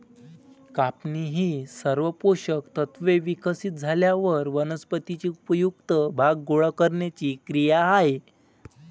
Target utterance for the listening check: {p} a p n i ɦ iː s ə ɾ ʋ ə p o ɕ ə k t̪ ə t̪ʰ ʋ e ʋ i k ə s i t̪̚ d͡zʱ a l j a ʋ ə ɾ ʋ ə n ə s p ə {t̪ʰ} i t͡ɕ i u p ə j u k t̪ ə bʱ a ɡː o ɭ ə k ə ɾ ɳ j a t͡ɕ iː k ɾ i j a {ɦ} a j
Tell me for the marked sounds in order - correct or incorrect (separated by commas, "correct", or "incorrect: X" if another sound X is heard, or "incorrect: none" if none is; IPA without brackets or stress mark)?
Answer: incorrect: k, incorrect: t̪, correct